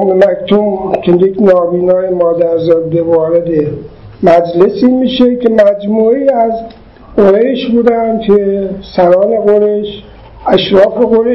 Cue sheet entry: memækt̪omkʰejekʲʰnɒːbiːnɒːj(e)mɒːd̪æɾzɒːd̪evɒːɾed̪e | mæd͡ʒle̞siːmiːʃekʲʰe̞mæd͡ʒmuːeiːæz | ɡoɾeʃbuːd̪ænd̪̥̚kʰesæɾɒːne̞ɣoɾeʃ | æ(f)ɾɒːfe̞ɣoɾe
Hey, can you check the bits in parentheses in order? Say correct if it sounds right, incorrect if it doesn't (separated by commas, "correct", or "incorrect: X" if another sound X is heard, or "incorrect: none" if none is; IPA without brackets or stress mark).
correct, incorrect: ʃ